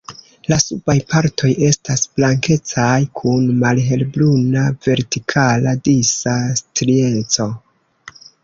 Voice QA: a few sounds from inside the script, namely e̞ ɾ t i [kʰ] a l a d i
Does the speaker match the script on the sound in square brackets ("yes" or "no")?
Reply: yes